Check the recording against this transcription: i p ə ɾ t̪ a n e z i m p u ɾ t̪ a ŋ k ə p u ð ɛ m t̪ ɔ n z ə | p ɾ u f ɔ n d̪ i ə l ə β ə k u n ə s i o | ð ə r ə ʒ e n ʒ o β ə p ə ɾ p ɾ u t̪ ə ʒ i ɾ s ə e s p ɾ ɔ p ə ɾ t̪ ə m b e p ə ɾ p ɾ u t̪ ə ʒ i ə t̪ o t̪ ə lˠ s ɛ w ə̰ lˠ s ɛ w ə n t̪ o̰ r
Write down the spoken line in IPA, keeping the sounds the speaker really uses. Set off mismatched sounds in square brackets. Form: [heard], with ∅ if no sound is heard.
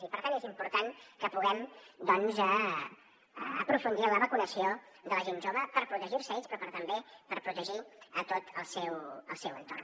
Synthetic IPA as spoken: i p ə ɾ t̪ a n e z i m p u ɾ t̪ a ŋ k ə p u [ɣ] ɛ m [d̪] ɔ n z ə | p ɾ u f [u] n d̪ i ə l ə β ə k u n ə s i o | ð ə [l] ə ʒ e n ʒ o β ə p ə ɾ p ɾ u t̪ ə ʒ i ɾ s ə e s p ɾ ɔ p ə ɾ t̪ ə m b e p ə ɾ p ɾ u t̪ ə ʒ i ə t̪ o t̪ ə lˠ s ɛ w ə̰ lˠ s ɛ w ə n t̪ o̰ r